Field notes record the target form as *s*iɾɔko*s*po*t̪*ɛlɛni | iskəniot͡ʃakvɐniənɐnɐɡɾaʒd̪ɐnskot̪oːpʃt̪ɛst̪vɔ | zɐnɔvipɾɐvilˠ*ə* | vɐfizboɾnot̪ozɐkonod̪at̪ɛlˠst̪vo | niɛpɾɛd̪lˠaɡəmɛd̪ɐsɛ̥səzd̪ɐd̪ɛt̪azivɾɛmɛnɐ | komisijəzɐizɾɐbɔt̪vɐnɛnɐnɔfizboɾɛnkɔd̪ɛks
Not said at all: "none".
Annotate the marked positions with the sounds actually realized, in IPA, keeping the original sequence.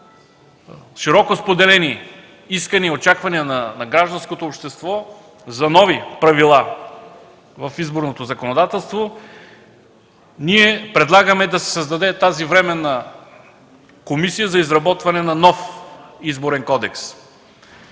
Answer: ʃ, s, d̪, a

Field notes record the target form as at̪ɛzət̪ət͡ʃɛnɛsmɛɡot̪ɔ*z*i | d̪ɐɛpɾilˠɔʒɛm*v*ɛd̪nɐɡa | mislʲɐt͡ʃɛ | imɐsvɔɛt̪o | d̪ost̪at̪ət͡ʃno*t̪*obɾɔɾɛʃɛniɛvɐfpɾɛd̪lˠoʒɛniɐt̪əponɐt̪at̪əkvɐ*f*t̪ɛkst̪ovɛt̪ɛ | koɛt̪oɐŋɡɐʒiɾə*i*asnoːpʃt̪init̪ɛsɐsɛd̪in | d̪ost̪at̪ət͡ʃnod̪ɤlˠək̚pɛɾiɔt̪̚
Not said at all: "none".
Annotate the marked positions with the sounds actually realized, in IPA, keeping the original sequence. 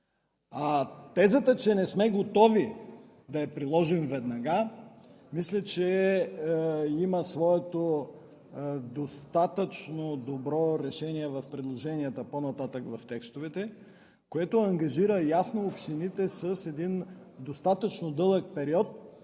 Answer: v, v, d̪, f, j

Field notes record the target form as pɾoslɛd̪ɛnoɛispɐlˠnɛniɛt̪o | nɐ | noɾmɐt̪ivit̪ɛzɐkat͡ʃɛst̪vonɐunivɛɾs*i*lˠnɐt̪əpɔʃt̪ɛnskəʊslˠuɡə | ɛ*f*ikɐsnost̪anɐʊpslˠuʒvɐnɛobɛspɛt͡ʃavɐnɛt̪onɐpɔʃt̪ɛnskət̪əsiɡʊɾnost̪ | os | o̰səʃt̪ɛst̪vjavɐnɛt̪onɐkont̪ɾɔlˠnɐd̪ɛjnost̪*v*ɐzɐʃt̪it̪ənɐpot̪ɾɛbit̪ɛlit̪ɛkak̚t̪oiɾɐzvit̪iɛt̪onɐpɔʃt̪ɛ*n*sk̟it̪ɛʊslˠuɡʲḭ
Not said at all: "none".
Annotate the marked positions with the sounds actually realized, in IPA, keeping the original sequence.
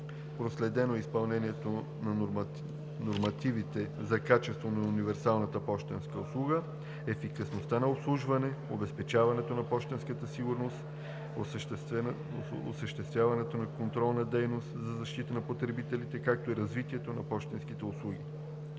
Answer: a, f, z, n

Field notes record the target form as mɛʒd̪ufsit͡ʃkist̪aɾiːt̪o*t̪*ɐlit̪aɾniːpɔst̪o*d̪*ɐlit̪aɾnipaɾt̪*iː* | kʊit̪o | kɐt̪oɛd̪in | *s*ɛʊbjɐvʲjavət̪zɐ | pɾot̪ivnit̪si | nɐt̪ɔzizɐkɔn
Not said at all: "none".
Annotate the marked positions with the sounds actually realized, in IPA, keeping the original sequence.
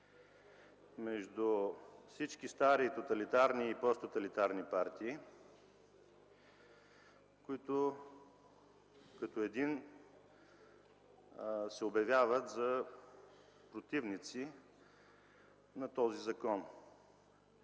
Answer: t̪, t̪, iː, s

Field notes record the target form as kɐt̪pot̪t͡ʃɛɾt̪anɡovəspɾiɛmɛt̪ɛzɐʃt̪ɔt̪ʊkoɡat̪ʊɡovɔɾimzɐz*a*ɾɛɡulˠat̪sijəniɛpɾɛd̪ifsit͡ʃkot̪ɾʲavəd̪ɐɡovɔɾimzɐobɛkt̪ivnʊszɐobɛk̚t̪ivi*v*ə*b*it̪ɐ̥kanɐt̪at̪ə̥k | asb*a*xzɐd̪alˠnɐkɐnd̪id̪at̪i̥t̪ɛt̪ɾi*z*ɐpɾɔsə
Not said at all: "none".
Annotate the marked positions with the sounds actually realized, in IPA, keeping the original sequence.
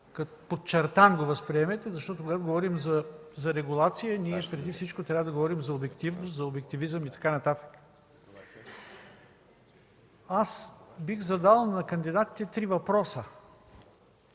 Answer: ɐ, z, m, i, v

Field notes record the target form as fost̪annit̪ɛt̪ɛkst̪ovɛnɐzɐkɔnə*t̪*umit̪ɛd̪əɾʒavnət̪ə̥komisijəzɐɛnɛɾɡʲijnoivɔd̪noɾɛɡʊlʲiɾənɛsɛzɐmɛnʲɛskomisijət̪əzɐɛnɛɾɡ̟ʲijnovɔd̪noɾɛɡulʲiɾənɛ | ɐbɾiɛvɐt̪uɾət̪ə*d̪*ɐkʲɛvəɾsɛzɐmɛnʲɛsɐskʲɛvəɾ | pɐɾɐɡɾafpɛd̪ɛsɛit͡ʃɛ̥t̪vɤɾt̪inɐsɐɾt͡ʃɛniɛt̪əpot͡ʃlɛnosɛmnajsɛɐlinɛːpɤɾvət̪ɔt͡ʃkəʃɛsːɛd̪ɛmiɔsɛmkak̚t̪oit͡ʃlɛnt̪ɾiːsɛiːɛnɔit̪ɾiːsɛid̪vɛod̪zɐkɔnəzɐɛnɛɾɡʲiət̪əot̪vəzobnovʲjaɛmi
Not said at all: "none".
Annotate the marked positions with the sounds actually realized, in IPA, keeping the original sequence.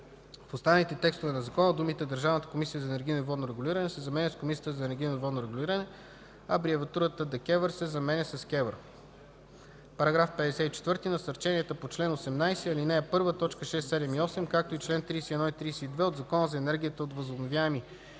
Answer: d̪, d̪

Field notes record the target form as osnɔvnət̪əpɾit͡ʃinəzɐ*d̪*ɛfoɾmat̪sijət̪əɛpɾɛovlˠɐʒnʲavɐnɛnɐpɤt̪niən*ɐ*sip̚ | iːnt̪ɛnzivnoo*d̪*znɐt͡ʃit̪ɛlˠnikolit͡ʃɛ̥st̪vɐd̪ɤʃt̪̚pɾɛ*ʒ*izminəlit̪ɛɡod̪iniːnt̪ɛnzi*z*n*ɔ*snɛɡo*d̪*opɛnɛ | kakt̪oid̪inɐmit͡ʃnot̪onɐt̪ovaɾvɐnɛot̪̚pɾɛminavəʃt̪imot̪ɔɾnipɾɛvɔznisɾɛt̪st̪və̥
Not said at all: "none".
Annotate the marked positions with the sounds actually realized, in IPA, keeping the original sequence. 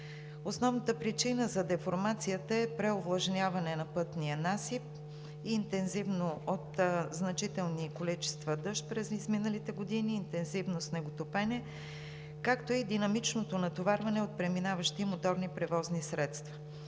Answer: d̪, a, t̪, z, v, o, t̪

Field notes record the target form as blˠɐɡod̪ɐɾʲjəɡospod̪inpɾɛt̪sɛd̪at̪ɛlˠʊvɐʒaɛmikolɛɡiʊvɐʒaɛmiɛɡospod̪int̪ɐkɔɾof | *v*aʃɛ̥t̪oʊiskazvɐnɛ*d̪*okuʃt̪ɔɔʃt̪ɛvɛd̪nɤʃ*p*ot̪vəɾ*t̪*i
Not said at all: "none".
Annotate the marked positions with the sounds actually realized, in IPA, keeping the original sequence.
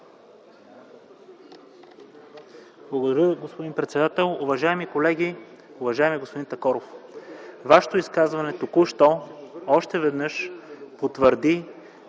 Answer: v, t̪, p, d̪

